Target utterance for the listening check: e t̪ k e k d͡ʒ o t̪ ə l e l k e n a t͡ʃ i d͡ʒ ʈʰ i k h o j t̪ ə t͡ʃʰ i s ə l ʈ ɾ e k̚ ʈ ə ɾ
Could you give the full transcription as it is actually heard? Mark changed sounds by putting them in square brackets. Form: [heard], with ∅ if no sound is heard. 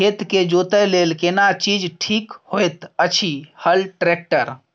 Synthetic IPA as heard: e t̪ k e [∅] d͡ʒ o t̪ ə l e l k e n a t͡ʃ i d͡ʒ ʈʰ i k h o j t̪ ə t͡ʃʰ i [h] ə l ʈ ɾ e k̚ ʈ ə ɾ